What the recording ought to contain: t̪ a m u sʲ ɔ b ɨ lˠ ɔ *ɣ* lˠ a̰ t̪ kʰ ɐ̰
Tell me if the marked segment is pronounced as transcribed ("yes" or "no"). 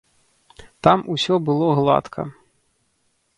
yes